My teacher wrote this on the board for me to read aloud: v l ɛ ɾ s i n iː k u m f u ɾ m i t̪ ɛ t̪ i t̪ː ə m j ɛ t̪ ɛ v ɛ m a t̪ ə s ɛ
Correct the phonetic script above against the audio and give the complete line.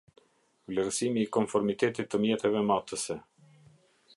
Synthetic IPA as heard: v l ɛ ɾ s i m iː k ɔ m f ɔ ɾ m i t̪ ɛ t̪ i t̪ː ə m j ɛ t̪ ɛ v ɛ m a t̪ ə s ɛ